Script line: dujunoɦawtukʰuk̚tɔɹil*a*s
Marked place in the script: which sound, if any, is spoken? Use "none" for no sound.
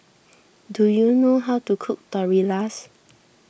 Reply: a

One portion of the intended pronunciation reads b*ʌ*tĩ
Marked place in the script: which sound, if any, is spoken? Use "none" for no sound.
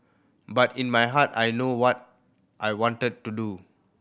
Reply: a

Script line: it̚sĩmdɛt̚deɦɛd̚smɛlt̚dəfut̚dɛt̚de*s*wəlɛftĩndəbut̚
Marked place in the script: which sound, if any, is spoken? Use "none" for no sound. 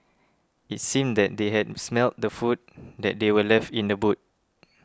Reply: none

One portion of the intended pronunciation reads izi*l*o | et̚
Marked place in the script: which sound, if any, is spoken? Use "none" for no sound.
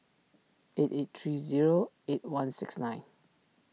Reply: ɹ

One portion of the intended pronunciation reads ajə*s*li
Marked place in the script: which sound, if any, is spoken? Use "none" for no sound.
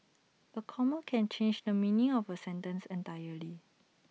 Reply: none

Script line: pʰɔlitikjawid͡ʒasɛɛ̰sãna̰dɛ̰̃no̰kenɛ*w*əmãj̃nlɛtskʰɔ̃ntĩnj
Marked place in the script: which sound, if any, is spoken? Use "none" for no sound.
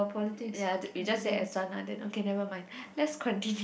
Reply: v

